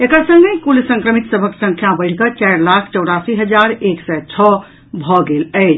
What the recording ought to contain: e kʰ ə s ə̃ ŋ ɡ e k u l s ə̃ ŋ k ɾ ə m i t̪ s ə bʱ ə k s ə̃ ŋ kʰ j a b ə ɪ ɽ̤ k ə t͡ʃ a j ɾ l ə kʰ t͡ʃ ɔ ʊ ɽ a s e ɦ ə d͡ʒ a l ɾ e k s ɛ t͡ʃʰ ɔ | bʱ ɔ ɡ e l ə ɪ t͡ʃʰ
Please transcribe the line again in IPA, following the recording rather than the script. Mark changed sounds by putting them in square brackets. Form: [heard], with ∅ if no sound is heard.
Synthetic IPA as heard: e [k] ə s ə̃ ŋ ɡ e k u l s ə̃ ŋ k ɾ ə m i t̪ s ə bʱ ə k s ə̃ ŋ kʰ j a b ə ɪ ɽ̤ k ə t͡ʃ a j ɾ l [a] kʰ t͡ʃ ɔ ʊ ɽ a s [i] ɦ ə d͡ʒ a [∅] ɾ e k s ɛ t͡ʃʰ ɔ | bʱ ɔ ɡ e l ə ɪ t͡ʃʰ